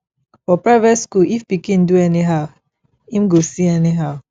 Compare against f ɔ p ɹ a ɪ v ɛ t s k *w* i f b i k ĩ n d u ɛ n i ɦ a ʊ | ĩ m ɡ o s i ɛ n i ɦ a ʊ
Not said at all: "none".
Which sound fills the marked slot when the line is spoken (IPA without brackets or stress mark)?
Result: u